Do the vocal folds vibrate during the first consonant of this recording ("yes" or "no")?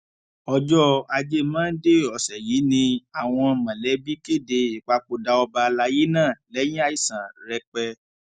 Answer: yes